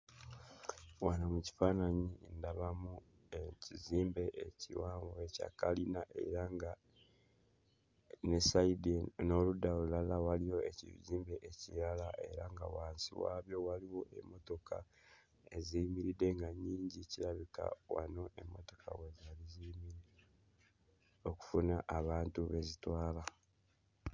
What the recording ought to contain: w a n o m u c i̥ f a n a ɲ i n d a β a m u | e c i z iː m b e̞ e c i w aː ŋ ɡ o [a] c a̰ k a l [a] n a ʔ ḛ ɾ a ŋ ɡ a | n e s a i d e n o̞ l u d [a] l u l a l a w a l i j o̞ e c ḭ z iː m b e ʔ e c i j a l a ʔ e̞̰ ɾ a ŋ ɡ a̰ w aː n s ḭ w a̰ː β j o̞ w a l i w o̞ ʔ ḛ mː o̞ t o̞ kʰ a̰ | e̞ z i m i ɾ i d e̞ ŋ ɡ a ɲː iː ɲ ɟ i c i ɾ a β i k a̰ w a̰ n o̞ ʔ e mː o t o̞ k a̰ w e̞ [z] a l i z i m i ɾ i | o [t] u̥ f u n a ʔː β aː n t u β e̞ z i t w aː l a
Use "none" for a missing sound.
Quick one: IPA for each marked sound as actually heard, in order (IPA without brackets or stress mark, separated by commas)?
e, i, a, z, k